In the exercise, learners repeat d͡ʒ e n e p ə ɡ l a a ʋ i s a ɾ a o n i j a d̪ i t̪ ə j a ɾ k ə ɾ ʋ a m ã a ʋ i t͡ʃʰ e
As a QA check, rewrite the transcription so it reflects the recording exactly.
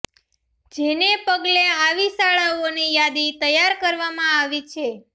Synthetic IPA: d͡ʒ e n e p ə ɡ l e a ʋ i s a ɭ a o n i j a d̪ i t̪ ə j a ɾ k ə ɾ ʋ a m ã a ʋ i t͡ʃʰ e